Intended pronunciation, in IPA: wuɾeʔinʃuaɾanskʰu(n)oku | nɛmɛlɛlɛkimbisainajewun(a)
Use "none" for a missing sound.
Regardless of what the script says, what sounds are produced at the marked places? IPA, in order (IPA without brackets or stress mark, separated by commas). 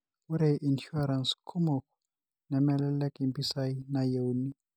m, i